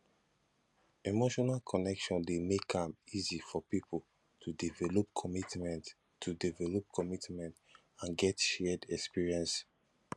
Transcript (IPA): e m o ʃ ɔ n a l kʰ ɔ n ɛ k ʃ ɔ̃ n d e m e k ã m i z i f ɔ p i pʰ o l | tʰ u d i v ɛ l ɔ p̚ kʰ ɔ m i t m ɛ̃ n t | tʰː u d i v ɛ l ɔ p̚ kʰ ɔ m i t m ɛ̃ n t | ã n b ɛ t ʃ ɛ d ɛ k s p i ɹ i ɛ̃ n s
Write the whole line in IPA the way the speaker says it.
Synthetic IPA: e m o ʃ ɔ n a l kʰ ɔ n ɛ k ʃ ɔ̃ n d e m e k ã m i z i f ɔ p i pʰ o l | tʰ u d i v ɛ l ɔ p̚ kʰ ɔ m i t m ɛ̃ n t | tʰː u d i v ɛ l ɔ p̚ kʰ ɔ m i t m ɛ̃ n t | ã n ɡ ɛ t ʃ ɛ d ɛ k s p i ɹ i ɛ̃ n s